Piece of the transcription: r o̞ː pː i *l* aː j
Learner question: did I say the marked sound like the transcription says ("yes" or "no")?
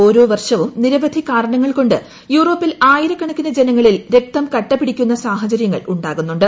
yes